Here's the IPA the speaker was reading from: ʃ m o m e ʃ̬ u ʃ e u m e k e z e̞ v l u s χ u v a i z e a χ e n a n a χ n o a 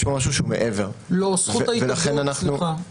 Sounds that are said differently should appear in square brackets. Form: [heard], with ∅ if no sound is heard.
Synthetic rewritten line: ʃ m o m [a] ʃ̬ u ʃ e u m e [ʔ] e [v] e̞ [ʁ] l [o] s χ u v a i [v] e a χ e n a n a χ n [u] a